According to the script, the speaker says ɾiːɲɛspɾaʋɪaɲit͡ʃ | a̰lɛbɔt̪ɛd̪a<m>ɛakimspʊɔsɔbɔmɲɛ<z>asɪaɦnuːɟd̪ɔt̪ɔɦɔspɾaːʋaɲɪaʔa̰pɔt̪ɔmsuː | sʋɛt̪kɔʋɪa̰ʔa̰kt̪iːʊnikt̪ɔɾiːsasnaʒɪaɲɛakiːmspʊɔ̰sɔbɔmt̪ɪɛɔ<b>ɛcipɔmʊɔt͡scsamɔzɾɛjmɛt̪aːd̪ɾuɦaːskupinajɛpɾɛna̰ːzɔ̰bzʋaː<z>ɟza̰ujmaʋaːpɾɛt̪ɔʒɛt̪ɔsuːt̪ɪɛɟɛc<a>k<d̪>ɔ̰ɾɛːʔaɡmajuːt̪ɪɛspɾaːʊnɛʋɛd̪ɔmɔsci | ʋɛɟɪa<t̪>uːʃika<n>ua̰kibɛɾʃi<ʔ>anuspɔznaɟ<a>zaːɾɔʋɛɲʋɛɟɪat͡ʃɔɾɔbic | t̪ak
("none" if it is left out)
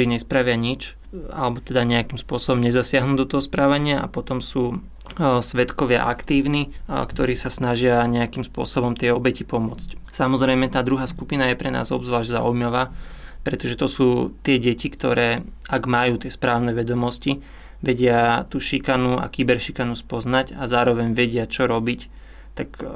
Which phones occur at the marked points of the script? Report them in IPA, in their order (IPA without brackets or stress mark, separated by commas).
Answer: ɲ, z, b, ʒ, i, t̪, t̪, n, k, a